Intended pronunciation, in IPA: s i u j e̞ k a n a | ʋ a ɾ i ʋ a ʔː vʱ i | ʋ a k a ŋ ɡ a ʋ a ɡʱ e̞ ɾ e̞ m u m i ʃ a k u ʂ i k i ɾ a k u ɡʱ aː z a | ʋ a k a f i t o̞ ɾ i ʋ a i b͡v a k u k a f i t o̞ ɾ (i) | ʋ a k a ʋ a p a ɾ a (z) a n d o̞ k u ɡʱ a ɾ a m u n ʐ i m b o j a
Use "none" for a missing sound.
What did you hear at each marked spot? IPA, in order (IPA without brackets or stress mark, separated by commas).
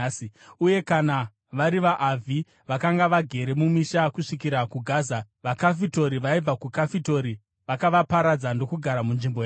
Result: i, d͡z